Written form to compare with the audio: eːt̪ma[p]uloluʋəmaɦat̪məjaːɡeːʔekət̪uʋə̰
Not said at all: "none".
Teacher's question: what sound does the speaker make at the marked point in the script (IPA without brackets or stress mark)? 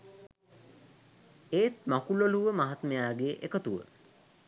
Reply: k